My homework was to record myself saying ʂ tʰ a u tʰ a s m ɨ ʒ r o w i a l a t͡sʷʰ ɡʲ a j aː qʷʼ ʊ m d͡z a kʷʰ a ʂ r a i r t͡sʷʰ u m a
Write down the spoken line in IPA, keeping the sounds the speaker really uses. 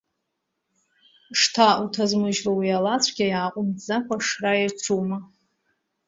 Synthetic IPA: ʂ tʰ a u tʰ a z m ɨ ʒ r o w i a l a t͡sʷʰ ɡʲ a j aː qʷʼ ʊ m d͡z a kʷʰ a ʂ r a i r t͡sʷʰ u m a